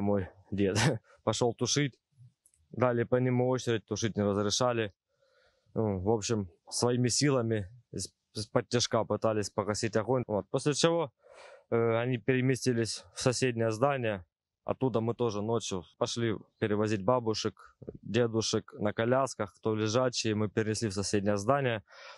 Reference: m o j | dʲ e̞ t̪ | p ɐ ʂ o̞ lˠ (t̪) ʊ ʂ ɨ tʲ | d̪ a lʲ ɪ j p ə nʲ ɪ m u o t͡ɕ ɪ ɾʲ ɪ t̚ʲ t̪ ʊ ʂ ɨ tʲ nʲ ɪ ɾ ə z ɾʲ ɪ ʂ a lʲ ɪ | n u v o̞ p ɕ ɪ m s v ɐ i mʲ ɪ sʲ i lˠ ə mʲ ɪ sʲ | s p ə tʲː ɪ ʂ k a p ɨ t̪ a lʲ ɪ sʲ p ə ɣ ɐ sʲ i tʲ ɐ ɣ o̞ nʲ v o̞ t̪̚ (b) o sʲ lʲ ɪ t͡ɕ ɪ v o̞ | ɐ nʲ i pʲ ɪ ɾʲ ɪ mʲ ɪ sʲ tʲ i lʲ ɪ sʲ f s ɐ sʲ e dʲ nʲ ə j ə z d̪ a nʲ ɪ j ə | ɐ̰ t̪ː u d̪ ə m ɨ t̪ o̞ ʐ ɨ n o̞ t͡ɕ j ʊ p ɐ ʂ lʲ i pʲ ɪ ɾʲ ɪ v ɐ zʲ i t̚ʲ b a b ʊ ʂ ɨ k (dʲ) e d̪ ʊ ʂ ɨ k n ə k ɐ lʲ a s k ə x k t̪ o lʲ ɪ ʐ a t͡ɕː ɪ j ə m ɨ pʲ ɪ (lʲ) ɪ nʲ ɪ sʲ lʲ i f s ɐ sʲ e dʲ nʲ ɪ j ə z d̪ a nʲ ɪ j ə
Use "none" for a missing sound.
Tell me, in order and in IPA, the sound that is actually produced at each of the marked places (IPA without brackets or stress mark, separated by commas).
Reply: t̪, p, dʲ, ɾʲ